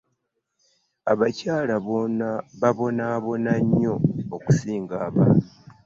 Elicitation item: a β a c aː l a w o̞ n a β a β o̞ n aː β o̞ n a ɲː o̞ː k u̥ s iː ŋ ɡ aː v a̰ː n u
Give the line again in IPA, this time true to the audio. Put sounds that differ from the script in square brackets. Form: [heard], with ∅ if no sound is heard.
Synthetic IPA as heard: a β a c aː l a [β] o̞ n a β a β o̞ n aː β o̞ n a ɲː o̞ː k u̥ s iː ŋ ɡ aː [β] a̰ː n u